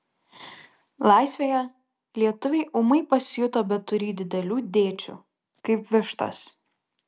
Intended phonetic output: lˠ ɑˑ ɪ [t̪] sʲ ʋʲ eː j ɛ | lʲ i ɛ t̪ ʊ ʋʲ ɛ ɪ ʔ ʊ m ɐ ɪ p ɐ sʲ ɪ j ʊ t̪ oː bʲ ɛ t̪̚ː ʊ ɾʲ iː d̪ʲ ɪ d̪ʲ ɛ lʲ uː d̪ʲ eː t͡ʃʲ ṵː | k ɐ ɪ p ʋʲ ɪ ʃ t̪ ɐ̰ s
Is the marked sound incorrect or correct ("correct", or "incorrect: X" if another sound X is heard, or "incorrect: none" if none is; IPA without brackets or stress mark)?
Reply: incorrect: none